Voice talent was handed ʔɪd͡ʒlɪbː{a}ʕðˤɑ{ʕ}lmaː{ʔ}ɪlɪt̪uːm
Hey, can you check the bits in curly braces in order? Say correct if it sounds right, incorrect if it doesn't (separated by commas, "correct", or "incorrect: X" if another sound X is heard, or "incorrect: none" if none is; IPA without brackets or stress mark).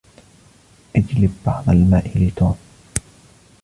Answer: incorrect: ɑ, incorrect: none, correct